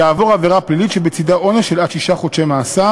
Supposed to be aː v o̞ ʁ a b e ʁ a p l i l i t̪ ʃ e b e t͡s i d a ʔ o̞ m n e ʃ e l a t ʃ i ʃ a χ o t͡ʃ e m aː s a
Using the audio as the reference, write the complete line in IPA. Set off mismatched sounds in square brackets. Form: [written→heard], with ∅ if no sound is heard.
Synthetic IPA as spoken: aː v o̞ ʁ a [b→v] e ʁ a p l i l i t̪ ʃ e b e t͡s i d a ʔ o̞ [m→∅] n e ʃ e l a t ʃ i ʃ a χ o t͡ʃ e m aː s a